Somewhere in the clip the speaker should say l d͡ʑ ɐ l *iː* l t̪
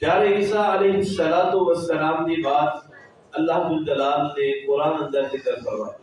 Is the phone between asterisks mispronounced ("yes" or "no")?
yes